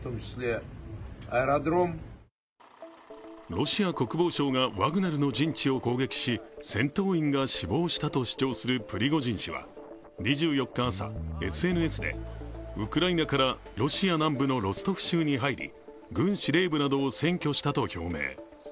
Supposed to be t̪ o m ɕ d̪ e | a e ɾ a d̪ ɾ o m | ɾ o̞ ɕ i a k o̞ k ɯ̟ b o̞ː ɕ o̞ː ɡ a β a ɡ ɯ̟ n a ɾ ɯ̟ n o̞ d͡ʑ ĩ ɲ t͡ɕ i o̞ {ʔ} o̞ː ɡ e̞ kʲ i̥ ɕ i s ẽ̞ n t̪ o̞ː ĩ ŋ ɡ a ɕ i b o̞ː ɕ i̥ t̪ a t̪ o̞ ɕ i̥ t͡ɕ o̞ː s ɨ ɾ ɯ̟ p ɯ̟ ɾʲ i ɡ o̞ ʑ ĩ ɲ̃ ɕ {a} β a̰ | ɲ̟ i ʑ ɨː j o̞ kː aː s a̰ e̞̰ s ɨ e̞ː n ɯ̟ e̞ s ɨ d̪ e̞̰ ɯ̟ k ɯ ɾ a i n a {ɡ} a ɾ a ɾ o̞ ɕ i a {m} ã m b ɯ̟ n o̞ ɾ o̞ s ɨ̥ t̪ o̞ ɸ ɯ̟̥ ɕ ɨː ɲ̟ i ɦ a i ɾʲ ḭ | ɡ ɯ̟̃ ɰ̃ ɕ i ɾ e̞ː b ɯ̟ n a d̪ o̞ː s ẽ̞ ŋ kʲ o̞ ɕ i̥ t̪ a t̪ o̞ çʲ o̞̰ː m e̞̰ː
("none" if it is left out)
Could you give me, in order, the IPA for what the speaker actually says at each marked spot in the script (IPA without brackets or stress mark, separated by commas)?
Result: k, i, k, n